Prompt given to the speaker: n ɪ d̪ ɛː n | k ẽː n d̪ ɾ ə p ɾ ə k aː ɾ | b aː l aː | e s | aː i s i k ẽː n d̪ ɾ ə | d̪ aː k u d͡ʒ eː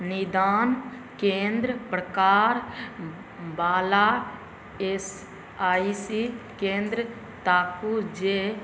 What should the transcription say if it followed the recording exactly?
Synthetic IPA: n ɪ d̪ aː n | k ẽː n d̪ ɾ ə p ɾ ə k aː ɾ | b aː l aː | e s | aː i s i k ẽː n d̪ ɾ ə | t̪ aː k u d͡ʒ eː

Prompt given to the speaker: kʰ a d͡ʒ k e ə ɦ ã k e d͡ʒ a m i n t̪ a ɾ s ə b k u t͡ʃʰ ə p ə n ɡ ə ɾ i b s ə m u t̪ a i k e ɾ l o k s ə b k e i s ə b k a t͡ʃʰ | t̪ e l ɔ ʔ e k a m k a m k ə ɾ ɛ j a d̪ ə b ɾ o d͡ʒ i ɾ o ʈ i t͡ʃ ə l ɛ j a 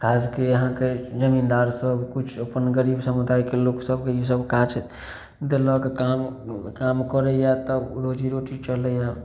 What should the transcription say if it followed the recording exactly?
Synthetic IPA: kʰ a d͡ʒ k e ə ɦ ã k e d͡ʒ ə m i n d̪ a ɾ s ə b k u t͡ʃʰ ə p ə n ɡ ə ɾ i b s ə m u d̪ a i k e l o k s ə b k e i s ə b k a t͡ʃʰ | d̪ e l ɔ k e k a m k a m k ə ɾ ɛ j a t̪ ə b ɾ o d͡ʒ i ɾ o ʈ i t͡ʃ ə l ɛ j a

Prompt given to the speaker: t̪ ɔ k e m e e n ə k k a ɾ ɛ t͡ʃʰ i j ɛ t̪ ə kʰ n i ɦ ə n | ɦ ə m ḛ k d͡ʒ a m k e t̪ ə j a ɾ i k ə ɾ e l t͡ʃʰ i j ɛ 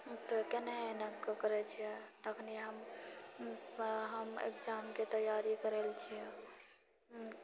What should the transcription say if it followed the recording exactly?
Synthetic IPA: t̪ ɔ k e n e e n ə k k ə ɾ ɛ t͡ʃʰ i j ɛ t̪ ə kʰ n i ɦ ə m | ɦ ə m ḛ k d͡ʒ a m k e t̪ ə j a ɾ i k ə ɾ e l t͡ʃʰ i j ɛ

